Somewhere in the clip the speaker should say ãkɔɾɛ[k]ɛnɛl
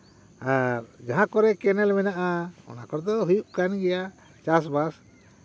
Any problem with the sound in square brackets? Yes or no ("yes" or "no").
no